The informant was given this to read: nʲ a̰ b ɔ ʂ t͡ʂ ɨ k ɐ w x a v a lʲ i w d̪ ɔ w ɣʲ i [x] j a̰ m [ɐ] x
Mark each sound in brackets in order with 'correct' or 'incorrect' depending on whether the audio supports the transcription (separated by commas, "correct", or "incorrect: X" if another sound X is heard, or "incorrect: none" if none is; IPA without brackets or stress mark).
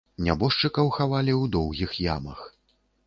correct, correct